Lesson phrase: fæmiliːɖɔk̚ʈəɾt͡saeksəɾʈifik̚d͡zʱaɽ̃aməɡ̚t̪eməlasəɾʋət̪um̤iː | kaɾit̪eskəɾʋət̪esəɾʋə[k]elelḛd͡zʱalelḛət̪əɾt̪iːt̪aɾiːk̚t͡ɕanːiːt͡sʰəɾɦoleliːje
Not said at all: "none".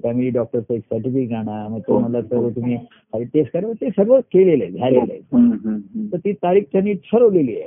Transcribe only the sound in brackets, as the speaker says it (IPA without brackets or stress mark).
k